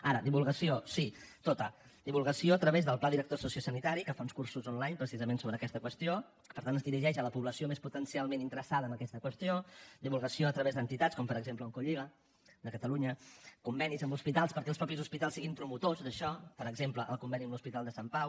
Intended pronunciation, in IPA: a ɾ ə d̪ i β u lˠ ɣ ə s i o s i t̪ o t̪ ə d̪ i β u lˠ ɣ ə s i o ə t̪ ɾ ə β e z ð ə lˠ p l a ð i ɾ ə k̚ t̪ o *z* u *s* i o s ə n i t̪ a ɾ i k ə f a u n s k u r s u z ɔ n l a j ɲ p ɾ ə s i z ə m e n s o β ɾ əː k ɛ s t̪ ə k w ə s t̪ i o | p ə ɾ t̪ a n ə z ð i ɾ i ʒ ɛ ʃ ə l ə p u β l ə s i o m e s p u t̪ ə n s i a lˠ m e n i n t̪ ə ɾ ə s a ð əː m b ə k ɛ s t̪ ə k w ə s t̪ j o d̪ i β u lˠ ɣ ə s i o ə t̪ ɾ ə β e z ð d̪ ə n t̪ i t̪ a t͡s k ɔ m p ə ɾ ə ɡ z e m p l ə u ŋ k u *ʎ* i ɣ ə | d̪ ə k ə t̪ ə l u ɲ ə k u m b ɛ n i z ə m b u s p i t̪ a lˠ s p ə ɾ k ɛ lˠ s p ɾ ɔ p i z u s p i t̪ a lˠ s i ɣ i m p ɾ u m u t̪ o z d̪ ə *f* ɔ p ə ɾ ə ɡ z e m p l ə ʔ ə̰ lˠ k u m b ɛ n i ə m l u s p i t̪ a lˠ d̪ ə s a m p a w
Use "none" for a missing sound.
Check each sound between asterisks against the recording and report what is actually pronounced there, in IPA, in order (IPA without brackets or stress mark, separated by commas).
s, s, ʎ, ʃ